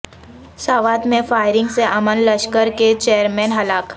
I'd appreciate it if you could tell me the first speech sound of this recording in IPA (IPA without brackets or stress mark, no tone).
s